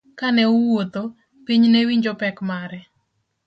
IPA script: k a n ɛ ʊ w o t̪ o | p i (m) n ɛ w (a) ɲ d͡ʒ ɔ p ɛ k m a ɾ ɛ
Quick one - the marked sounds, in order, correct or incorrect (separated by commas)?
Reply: incorrect, incorrect